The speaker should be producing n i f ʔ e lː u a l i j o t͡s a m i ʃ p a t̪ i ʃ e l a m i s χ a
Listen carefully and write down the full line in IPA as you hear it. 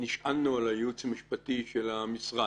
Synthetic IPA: n i ʃ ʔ a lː u a l a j u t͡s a m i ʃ p a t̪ i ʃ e l a m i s ʁ a